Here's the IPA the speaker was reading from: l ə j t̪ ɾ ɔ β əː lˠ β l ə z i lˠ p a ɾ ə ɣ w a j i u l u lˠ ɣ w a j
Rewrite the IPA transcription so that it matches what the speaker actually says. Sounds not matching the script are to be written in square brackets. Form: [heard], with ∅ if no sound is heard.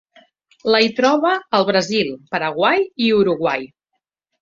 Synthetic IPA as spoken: l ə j t̪ ɾ ɔ β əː lˠ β [ɾ] ə z i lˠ p [ə] ɾ ə ɣ w a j i u [ɾ] u [∅] ɣ w a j